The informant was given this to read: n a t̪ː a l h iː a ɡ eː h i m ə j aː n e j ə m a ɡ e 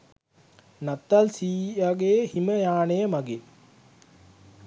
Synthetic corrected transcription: n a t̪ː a l s iː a ɡ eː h i m ə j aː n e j ə m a ɡ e